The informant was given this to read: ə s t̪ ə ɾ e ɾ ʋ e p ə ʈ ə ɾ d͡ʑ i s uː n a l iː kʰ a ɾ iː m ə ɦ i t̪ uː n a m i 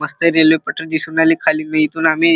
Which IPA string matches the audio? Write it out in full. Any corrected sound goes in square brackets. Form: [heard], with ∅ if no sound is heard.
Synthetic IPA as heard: ə s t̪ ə ɾ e [l] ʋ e p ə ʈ ə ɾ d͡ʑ i s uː n a l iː kʰ a [l] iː m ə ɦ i t̪ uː n a m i